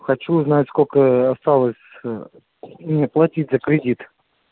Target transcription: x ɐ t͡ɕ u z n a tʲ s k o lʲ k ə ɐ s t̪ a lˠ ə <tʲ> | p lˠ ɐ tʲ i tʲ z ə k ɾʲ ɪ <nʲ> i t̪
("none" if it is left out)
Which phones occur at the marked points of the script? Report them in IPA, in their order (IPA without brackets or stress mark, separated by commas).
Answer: sʲ, dʲ